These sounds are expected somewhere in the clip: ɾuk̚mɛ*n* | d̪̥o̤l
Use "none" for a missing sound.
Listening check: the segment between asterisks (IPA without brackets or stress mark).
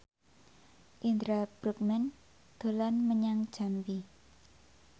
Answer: n